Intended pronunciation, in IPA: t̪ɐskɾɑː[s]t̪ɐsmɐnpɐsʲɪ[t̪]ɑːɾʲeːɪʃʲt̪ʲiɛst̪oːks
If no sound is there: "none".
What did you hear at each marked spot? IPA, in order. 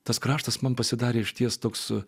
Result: ʃ, d̪

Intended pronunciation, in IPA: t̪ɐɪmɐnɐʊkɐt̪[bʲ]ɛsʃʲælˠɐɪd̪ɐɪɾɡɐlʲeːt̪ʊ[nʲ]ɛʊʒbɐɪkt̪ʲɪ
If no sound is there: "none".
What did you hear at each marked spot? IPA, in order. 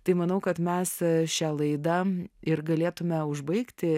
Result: mʲ, mʲ

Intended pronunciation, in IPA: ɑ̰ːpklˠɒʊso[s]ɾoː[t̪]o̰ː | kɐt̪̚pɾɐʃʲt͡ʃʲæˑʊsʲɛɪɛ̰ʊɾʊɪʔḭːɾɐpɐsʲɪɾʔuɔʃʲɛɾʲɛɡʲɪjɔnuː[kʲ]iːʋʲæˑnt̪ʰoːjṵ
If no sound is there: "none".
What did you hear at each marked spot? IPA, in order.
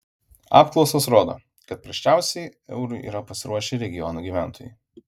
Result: s, d̪, ɡʲ

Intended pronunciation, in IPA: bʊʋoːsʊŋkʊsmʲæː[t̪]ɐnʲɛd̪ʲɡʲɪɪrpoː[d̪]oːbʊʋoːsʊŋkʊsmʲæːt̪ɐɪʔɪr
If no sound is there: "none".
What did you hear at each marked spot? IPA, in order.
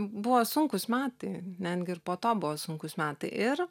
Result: t̪, t̪

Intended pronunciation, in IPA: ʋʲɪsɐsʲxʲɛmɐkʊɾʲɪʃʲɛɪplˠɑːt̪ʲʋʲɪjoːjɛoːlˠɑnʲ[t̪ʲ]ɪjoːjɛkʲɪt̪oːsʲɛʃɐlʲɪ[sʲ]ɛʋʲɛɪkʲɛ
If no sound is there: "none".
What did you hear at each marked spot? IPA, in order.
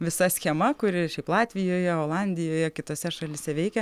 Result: d̪ʲ, sʲ

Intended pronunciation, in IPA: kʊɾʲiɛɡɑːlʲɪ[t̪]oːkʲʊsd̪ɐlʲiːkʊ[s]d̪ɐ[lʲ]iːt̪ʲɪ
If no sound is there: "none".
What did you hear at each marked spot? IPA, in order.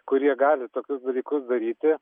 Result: t̪, s, ɾʲ

